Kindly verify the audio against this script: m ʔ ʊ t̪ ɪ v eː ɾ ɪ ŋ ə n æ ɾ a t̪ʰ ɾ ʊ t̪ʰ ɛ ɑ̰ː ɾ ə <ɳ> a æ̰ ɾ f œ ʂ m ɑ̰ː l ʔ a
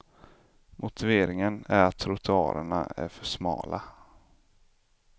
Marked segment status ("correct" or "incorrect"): correct